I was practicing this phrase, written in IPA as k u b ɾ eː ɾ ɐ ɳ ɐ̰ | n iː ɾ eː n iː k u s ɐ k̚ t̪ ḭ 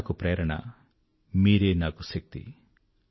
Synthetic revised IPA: k u p ɾ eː ɾ ɐ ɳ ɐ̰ | m iː ɾ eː n aː k u s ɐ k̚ t̪ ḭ

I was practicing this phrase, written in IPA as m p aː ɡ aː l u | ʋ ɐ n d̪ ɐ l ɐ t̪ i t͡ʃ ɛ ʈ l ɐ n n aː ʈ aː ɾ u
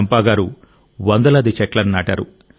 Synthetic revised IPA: m p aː ɡ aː ɾ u | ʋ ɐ n d̪ ɐ l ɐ d̪ i t͡ʃ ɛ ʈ l ɐ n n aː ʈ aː ɾ u

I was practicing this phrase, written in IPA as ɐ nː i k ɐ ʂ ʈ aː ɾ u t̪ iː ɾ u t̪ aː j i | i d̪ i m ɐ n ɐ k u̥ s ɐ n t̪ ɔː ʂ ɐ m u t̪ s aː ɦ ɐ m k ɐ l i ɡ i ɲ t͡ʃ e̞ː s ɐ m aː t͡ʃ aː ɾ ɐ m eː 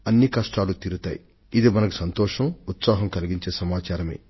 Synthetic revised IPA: ɐ nː i k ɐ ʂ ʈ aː l u t̪ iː ɾ u t̪ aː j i | i d̪ i m ɐ n ɐ k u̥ s ɐ n t̪ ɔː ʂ ɐ m u t̪ s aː ɦ ɐ m k ɐ l i ɡ i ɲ t͡ʃ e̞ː s ɐ m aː t͡ʃ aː ɾ ɐ m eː

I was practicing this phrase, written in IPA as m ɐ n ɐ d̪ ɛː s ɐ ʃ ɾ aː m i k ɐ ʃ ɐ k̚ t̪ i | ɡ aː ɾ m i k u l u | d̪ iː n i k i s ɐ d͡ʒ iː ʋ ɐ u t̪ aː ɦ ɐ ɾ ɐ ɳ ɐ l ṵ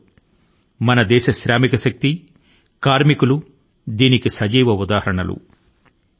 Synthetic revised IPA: m ɐ n ɐ d̪ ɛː ʃ ɐ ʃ ɾ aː m i k ɐ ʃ ɐ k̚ t̪ i | k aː ɾ m i k u l u | d̪ iː n i k i s ɐ d͡ʒ iː ʋ ɐ u d̪ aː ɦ ɐ ɾ ɐ ɳ ɐ l ṵ

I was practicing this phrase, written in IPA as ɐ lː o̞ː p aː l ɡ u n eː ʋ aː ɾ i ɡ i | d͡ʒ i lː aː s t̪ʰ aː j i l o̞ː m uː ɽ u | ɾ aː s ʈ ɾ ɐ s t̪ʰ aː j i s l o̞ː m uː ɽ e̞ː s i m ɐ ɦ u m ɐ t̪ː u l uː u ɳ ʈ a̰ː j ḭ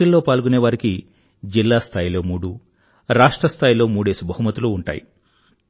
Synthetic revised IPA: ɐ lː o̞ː p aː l ɡ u n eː ʋ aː ɾ i k i | d͡ʒ i lː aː s t̪ʰ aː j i l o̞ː m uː ɽ u | ɾ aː ʂ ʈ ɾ ɐ s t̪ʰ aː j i l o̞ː m uː ɽ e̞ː s i b ɐ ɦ u m ɐ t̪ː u l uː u ɳ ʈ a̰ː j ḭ

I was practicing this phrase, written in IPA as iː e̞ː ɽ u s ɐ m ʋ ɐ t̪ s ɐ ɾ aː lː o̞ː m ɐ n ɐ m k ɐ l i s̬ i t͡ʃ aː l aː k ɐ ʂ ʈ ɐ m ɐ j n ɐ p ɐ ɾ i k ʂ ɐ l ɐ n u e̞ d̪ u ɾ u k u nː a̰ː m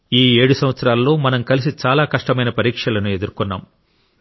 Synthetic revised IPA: iː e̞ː ɽ u s ɐ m ʋ ɐ t̪ s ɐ ɾ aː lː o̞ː m ɐ n ɐ m k ɐ l i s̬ i t͡ʃ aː l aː k ɐ ʂ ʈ ɐ m ɐ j n ɐ p ɐ ɾ iː k ʂ ɐ l ɐ n u e̞ d̪ u ɾ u k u nː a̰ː m

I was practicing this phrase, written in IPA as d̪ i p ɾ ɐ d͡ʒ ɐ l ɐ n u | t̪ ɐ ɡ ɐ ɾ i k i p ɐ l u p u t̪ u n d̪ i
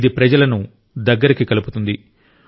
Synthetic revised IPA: d̪ i p ɾ ɐ d͡ʒ ɐ l ɐ n u | d̪ ɐ ɡː ɐ ɾ i k i k ɐ l u p u t̪ u n d̪ i

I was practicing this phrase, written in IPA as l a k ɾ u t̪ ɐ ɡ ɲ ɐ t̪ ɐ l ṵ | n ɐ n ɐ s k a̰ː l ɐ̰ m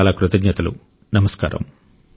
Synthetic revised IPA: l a k ɾ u t̪ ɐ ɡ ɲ ɐ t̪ ɐ l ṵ | n ɐ m ɐ s k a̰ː ɾ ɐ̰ m

